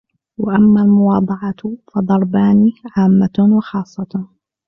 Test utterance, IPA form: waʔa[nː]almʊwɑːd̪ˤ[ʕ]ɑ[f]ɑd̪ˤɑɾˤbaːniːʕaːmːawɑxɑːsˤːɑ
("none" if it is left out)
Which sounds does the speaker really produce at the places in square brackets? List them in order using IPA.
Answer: mː, ʕ, f

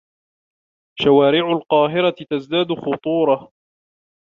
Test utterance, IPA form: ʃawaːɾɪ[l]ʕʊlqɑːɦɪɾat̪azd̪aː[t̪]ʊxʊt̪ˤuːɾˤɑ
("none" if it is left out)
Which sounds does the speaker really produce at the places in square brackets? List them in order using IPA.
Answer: none, d̪

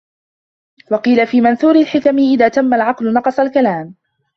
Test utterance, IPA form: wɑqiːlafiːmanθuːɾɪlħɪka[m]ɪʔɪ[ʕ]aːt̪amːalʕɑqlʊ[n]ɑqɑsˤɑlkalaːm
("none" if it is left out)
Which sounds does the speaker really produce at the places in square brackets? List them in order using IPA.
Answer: m, ð, n

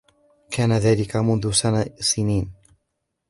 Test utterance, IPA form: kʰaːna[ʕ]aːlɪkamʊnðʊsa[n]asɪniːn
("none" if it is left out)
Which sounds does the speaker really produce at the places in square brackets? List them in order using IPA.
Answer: ð, n

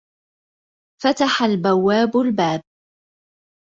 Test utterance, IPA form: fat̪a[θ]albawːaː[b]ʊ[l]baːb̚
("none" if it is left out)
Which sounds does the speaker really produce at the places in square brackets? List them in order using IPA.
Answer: ħ, b, l

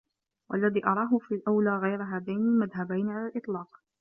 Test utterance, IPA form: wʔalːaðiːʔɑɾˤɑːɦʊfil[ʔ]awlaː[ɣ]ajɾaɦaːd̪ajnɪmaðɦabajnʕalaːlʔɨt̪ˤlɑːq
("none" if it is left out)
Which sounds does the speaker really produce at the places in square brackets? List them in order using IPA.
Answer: ʔ, ɣ

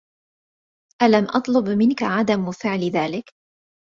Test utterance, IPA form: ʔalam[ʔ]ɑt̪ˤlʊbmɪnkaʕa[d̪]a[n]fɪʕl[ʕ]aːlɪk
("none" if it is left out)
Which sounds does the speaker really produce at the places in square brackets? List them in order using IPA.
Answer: ʔ, d̪, m, ð

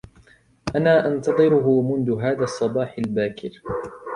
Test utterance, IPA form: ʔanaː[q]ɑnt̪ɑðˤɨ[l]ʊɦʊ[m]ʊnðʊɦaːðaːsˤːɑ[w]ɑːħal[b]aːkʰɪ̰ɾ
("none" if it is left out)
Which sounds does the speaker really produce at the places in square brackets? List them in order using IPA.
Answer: ʔ, ɾ, m, b, b

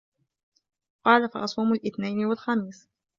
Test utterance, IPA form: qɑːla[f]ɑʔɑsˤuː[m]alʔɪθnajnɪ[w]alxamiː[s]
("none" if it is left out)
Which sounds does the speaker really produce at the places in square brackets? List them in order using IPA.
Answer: f, m, w, s

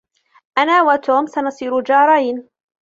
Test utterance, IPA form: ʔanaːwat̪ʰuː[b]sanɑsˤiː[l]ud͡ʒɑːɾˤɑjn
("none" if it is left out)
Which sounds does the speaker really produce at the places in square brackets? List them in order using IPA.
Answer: m, ɾ

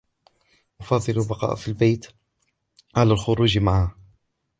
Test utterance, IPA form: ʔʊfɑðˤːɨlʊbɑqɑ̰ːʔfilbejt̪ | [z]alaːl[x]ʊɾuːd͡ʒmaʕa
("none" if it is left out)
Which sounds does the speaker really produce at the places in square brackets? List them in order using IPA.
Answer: ʕ, x

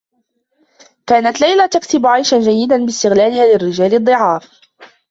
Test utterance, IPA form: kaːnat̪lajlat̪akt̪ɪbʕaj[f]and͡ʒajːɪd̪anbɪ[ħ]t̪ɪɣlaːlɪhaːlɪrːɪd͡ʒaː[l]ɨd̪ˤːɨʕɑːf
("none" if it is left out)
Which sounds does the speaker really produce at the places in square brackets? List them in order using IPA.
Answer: ʃ, s, l

